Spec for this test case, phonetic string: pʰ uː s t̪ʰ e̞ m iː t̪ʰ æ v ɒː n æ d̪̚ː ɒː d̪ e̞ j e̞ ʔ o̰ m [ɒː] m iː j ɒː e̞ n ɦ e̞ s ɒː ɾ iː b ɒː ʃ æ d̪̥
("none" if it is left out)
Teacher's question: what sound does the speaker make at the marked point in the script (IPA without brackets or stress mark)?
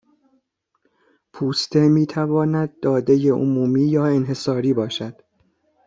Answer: uː